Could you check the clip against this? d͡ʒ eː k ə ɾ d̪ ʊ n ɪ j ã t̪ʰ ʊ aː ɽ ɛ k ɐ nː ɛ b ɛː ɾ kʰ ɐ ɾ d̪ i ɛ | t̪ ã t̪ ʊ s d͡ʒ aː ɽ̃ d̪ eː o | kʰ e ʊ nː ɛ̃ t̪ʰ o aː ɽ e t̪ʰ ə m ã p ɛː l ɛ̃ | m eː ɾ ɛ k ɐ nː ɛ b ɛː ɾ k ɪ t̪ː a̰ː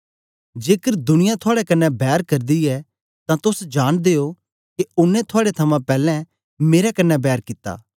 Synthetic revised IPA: d͡ʒ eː k ə ɾ d̪ ʊ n ɪ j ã t̪ʰ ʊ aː ɽ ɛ k ɐ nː ɛ b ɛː ɾ k ɐ ɾ d̪ i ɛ | t̪ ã t̪ ʊ s d͡ʒ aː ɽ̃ d̪ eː o | k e ʊ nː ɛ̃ t̪ʰ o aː ɽ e t̪ʰ ɐ m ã p ɛː l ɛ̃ | m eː ɾ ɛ k ɐ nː ɛ b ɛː ɾ k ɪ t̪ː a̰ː